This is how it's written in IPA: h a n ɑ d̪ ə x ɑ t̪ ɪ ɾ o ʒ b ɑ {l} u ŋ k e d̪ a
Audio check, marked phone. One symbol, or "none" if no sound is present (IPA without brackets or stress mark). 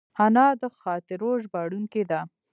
ɽ